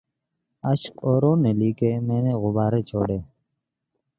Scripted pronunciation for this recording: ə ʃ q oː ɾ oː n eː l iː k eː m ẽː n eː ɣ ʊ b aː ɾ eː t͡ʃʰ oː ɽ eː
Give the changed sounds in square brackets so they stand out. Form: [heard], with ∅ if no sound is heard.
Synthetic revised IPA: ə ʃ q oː ɾ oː n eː l iː k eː m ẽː n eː ɣ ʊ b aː ɾ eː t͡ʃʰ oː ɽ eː